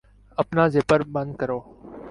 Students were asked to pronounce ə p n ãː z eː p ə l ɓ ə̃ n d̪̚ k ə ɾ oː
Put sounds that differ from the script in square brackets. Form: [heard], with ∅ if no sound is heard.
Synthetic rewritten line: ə p n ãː z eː p ə [ɾ] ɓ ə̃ n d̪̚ k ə ɾ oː